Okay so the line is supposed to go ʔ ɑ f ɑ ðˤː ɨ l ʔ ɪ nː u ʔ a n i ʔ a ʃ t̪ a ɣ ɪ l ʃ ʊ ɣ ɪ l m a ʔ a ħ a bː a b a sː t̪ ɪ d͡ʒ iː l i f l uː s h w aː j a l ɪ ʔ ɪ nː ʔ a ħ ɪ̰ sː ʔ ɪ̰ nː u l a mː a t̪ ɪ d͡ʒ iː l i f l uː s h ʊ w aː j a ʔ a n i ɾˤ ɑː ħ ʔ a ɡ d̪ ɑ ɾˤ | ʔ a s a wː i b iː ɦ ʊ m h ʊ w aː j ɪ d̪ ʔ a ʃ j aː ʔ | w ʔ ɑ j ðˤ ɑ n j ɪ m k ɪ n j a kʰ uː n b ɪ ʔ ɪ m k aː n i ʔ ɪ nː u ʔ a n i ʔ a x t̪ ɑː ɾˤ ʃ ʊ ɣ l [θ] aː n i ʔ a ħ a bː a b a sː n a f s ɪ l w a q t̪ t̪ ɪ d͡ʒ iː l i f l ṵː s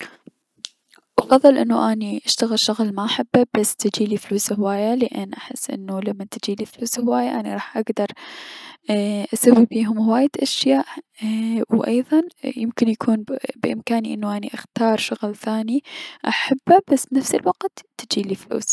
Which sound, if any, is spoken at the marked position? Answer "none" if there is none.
θ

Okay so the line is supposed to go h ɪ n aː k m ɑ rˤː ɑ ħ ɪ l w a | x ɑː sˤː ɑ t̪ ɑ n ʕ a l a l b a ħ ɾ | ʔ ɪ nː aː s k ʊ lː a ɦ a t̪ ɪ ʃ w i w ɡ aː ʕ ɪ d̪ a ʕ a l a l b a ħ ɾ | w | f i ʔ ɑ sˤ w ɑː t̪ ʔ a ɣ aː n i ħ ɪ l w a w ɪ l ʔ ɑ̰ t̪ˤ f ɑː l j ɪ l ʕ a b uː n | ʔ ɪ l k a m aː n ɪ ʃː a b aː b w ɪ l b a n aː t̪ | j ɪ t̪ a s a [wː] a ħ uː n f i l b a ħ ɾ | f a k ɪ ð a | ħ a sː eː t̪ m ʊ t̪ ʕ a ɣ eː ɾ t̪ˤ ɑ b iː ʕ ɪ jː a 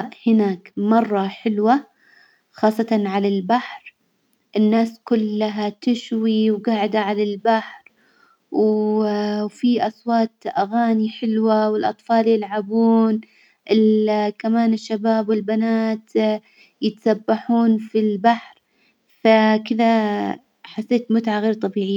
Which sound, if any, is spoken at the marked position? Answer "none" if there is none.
bː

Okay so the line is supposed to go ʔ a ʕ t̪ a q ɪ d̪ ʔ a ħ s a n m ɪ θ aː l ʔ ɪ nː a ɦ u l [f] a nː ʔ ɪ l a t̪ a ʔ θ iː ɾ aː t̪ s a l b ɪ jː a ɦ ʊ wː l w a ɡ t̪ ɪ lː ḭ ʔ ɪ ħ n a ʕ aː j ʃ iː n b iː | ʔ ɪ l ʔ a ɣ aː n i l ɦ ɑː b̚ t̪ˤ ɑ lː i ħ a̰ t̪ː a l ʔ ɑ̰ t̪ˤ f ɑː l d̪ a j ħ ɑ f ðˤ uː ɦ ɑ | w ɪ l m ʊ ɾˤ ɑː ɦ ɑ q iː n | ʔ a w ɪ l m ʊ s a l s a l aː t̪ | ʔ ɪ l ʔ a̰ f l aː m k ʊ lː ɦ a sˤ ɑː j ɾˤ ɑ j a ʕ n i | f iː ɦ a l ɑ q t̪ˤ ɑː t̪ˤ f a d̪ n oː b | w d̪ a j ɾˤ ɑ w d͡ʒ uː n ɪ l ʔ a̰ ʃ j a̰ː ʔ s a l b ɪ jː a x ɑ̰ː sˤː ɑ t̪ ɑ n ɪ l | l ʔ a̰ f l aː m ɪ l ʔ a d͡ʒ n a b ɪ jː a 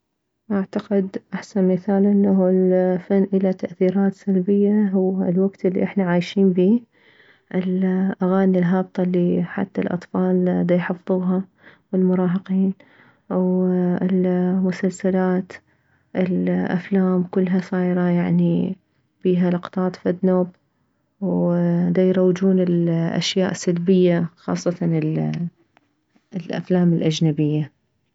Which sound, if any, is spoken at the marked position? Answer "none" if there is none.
f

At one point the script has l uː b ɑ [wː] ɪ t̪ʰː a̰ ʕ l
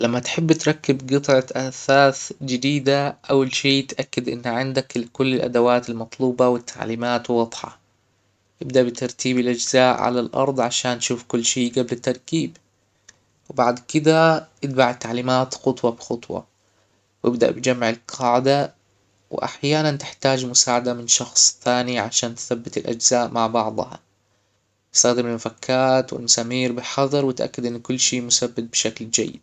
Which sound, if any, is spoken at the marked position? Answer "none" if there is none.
w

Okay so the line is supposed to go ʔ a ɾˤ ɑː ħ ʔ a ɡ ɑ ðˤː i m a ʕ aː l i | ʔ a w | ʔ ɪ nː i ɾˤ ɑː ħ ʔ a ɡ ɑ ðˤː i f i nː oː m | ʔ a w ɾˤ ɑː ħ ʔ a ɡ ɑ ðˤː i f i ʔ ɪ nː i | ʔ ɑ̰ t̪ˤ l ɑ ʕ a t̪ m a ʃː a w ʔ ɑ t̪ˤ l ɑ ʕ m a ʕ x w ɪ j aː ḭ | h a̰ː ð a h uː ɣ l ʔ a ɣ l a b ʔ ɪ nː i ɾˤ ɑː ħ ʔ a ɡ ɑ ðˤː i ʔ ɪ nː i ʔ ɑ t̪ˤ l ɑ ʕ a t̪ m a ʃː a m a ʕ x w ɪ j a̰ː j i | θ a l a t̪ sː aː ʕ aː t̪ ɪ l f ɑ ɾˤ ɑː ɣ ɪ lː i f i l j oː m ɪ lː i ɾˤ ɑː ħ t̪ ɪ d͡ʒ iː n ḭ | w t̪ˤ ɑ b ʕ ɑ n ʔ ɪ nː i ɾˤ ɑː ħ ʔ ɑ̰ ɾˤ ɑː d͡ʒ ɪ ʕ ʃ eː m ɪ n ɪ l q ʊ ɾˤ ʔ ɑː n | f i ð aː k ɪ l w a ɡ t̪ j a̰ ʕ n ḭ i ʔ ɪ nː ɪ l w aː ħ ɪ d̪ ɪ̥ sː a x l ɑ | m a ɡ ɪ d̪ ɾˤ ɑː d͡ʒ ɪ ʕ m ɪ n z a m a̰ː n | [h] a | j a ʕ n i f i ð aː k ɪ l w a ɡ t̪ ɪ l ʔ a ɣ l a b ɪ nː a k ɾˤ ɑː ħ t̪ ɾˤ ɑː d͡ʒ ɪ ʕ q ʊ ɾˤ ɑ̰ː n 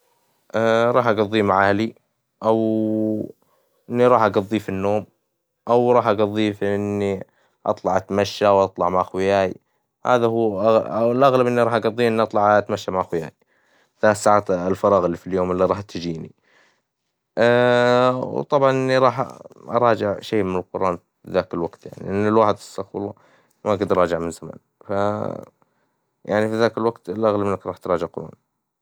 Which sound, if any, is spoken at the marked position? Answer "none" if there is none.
f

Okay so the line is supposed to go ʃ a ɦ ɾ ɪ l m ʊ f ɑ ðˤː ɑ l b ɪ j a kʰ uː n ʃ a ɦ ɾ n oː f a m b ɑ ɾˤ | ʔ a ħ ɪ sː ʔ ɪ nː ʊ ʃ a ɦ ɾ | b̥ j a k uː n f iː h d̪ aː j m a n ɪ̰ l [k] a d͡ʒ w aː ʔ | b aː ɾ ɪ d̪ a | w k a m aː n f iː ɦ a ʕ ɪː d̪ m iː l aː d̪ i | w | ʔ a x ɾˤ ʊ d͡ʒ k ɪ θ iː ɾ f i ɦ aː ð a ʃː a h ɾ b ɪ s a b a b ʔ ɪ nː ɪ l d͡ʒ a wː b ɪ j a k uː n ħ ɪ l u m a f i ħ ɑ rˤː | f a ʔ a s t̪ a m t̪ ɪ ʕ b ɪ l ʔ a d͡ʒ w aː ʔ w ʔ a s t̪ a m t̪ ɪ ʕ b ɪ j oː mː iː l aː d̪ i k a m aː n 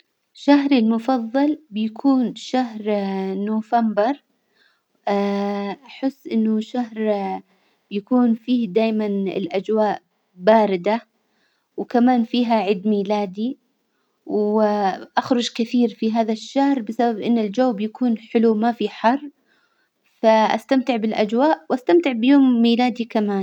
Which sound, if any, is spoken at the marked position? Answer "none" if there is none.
ʔ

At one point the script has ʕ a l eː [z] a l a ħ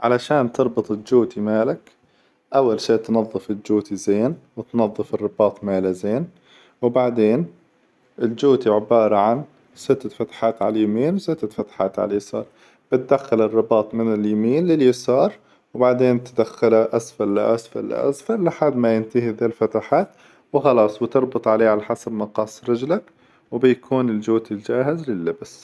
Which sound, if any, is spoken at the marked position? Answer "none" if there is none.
ʕ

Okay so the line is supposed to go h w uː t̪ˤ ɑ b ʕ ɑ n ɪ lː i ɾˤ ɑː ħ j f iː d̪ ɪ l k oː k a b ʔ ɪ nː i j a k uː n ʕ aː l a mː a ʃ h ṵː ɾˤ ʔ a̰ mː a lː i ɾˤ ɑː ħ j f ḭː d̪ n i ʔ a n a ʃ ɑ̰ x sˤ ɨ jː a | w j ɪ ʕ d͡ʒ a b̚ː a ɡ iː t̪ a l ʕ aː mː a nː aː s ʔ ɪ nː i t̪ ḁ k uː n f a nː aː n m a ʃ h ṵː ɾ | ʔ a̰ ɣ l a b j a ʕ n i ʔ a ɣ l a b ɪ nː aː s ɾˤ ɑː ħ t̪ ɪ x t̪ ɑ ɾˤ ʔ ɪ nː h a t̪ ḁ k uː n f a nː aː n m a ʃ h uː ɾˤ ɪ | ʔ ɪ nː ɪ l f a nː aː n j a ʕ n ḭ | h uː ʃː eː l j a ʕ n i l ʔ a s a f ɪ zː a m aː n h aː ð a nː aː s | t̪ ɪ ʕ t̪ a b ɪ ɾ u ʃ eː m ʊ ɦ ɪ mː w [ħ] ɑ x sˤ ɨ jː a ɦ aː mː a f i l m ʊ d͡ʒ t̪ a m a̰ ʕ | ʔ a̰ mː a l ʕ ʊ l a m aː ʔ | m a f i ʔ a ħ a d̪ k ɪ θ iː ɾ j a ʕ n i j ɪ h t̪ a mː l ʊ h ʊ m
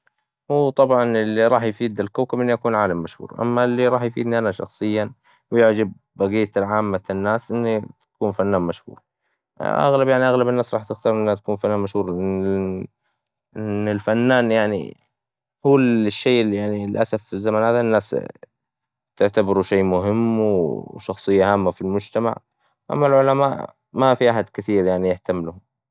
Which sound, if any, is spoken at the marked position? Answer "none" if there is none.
ʃ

